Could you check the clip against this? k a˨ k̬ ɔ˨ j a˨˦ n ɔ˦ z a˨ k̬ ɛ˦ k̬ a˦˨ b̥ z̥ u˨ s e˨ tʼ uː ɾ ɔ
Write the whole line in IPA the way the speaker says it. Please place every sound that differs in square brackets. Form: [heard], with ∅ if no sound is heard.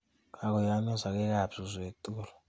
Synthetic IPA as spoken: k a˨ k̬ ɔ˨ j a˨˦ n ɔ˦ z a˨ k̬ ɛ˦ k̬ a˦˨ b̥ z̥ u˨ [z] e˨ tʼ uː [l] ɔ

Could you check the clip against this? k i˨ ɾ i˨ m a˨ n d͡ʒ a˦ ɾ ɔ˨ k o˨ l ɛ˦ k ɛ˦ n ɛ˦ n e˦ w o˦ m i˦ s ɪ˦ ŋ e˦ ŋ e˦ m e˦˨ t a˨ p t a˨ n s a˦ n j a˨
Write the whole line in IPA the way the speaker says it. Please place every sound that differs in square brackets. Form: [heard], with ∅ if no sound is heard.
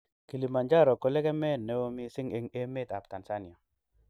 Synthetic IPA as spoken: k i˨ [l] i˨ m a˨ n d͡ʒ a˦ ɾ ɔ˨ k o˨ l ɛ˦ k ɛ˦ [m] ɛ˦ n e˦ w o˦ m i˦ s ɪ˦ ŋ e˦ ŋ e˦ m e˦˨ t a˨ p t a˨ n s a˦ n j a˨

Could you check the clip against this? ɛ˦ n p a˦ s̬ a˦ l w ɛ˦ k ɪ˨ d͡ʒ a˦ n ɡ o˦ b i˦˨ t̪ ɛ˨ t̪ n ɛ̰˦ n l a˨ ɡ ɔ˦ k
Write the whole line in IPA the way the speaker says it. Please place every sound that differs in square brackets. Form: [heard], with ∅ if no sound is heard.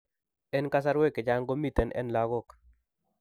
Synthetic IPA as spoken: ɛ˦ n [k] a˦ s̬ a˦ [ɾ] w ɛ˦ k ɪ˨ d͡ʒ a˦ [ŋ] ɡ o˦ [m] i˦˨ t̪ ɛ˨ [∅] n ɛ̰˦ n l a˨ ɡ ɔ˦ k

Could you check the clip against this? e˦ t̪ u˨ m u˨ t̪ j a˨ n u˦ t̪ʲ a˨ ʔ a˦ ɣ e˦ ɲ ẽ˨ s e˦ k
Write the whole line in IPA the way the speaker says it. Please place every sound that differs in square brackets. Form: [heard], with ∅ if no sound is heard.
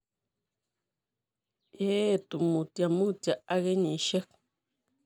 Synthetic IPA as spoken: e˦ t̪ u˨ m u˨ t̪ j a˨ [m] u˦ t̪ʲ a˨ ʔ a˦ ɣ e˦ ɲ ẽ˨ [ʃ] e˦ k

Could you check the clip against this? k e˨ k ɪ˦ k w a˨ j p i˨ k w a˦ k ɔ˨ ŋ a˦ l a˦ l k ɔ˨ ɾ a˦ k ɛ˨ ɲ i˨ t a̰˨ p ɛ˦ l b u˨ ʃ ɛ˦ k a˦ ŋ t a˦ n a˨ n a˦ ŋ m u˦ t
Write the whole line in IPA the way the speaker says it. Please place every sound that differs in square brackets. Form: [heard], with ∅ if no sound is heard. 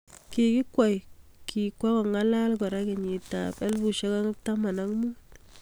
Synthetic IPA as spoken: k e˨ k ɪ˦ k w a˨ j [k] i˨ k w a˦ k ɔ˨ ŋ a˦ l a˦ l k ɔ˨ ɾ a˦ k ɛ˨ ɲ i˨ t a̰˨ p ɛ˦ l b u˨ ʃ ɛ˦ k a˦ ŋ t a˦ [m] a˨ n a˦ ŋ m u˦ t

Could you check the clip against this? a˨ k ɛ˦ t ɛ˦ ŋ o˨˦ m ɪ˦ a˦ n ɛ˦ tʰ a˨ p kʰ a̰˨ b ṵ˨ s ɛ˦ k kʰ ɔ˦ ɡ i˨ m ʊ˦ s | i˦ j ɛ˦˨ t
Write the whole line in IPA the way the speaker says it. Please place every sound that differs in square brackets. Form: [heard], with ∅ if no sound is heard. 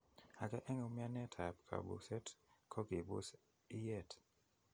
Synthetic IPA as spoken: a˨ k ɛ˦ [ʔ] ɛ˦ ŋ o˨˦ m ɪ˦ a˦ n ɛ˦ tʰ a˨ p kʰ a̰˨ b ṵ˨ s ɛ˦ [t] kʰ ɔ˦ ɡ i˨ [b] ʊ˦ s | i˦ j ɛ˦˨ t

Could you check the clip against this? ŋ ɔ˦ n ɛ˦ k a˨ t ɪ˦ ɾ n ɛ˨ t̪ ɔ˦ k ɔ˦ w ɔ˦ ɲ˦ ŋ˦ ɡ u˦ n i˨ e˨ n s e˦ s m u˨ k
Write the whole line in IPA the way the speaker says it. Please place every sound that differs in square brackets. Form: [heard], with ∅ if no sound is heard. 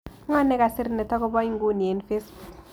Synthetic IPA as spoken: ŋ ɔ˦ n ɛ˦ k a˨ [s] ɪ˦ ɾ n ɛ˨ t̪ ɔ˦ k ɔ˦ [b] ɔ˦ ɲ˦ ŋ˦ ɡ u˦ n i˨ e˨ n [f] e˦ s [b] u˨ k

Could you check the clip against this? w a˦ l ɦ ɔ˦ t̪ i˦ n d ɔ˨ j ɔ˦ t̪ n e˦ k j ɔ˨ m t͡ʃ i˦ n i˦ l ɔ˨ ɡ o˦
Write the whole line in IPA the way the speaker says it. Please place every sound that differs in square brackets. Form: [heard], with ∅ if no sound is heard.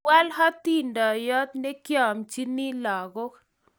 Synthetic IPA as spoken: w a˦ l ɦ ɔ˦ t̪ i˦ n d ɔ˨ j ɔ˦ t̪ n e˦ k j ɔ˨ m t͡ʃ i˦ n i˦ l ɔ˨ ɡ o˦

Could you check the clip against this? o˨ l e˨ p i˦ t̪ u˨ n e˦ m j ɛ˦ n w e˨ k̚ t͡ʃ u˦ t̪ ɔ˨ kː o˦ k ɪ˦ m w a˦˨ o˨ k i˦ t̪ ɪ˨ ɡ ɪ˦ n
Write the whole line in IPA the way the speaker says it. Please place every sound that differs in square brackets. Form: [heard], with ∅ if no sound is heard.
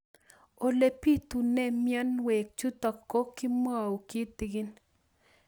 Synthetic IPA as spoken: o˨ l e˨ p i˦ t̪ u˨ n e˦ m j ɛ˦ n w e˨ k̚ t͡ʃ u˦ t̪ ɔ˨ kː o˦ k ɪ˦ m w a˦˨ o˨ k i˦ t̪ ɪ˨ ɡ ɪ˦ n

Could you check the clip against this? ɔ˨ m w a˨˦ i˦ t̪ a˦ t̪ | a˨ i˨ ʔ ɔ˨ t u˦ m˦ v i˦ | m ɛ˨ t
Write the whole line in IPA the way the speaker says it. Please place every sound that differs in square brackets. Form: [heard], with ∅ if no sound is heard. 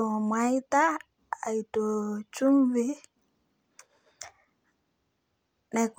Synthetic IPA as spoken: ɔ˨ m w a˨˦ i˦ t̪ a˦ [∅] | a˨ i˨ [t] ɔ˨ [t͡ʃ] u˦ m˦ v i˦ | [n] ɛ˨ [k]

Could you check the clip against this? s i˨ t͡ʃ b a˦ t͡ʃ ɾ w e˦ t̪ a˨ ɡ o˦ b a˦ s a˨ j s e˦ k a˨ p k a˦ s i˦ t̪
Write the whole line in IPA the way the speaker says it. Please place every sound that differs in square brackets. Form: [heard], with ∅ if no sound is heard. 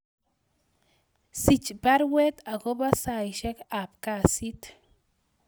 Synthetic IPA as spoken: s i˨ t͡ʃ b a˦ [∅] ɾ w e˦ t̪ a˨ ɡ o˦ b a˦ s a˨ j [ʃ] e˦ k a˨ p k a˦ s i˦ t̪

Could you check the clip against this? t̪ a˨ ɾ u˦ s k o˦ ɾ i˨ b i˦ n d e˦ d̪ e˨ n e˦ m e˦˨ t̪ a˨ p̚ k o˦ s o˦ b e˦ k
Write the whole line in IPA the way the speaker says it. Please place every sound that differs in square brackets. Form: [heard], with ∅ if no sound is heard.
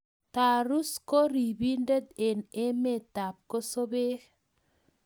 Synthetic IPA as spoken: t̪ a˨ ɾ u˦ s k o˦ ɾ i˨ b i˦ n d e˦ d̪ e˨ n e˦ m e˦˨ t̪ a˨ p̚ k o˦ s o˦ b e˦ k

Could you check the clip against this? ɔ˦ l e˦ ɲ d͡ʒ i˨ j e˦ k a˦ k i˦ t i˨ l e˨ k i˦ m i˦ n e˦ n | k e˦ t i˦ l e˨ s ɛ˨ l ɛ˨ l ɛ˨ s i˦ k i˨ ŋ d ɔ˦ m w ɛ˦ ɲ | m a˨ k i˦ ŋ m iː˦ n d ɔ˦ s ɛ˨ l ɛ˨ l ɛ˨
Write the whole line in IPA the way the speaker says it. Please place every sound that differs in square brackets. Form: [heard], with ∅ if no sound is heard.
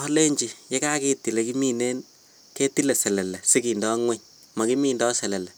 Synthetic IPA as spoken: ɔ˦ l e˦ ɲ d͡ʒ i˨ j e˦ k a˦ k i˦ t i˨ l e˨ k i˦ m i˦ n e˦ n | k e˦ t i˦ l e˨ s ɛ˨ l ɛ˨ l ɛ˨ s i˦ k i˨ [n] d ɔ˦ [ŋ] w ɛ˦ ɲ | m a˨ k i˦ [∅] m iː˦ n d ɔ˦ s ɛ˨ l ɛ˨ l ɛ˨

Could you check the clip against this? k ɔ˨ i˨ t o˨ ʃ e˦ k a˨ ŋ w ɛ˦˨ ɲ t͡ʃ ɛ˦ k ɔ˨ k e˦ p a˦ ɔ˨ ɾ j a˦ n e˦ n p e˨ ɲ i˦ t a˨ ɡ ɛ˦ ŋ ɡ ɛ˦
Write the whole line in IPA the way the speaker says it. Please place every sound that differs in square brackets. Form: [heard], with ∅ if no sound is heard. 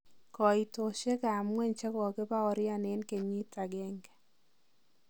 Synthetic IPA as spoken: k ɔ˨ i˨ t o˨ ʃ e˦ k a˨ [m] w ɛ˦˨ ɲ t͡ʃ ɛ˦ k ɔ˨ k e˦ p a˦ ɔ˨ ɾ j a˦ n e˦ n [k] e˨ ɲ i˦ t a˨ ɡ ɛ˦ ŋ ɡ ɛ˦

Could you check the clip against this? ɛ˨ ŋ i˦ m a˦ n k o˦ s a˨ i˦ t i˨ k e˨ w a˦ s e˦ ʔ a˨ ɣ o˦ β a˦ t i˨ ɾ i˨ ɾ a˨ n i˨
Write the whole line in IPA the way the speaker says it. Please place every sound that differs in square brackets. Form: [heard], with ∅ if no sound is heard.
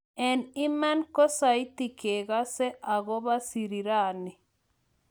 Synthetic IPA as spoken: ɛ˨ [n] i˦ m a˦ n k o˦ s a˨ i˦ t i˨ k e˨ [ɣ] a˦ s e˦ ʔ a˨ ɣ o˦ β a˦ [s] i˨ ɾ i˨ ɾ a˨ n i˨

